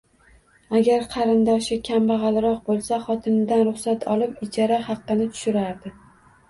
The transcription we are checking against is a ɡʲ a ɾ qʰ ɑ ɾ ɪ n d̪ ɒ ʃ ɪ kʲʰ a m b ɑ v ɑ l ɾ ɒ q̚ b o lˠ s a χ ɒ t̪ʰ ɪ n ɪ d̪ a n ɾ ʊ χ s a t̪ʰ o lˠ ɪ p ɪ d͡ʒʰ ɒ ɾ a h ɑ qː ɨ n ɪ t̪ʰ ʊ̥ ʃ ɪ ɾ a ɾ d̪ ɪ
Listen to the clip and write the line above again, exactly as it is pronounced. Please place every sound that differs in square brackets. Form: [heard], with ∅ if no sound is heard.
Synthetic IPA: a ɡʲ a ɾ qʰ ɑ ɾ ɪ n d̪ ɒ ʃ ɪ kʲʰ a m b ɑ [ʁ] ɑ l ɾ ɒ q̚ b o lˠ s a χ ɒ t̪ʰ ɪ n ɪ d̪ a n ɾ ʊ χ s a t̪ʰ [ɒ] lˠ ɪ p ɪ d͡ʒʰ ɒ ɾ a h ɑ qː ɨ n ɪ t̪ʰ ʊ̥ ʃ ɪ ɾ a ɾ d̪ ɪ